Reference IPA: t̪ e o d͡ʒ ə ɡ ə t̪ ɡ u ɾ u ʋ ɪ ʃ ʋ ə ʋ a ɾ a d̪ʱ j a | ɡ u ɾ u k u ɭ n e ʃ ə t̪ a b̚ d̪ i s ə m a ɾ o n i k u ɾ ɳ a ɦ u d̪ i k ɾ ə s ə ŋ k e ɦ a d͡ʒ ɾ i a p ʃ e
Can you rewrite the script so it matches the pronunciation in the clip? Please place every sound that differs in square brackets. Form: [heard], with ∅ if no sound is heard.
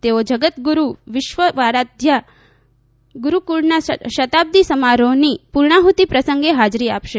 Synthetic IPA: t̪ e o d͡ʒ ə ɡ ə t̪ ɡ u ɾ u ʋ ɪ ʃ ʋ ə ʋ a ɾ a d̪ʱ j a | ɡ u ɾ u k u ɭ n [a] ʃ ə t̪ a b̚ d̪ i s ə m a ɾ o n i [p] u ɾ ɳ a ɦ u [t̪] i [p] ɾ ə s ə ŋ [ɡ] e ɦ a d͡ʒ ɾ i a p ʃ e